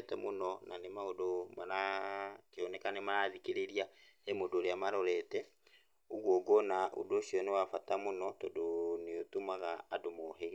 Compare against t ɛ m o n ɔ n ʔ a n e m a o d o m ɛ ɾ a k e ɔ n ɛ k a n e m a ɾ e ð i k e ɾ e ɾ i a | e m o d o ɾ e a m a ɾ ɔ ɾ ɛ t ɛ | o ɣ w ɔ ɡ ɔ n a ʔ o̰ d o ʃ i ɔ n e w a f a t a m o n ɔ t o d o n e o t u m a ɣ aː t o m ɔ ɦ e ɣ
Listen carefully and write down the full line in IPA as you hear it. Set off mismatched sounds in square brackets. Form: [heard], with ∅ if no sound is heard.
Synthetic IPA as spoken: t ɛ m o n ɔ n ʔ a n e m a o d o m [a] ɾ a k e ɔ n ɛ k a n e m a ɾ [a] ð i k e ɾ e ɾ i a | e m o d o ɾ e a m a ɾ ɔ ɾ ɛ t ɛ | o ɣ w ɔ ɡ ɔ n a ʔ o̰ d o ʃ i ɔ n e w a f a t a m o n ɔ t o d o n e o t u m a ɣ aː [d] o m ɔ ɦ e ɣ